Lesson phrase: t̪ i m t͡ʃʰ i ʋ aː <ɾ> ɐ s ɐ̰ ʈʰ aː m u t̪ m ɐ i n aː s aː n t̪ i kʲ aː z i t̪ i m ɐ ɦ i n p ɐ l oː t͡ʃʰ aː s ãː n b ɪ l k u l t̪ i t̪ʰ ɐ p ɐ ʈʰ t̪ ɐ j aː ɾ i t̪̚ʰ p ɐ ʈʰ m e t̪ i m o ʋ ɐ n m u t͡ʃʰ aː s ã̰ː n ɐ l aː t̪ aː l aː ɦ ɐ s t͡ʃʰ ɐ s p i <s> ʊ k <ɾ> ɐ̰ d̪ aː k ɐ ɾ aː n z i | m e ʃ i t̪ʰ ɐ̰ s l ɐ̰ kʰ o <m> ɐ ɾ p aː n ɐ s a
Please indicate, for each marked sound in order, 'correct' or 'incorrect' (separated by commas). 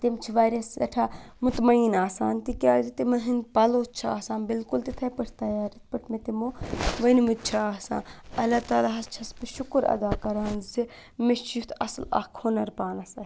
correct, incorrect, correct, incorrect